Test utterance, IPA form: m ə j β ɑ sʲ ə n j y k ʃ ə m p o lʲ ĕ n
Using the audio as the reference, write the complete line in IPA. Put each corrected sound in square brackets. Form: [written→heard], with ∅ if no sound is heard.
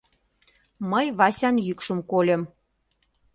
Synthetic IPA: m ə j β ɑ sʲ [ə→ɑ] n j y k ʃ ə m [p→k] o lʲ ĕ [n→m]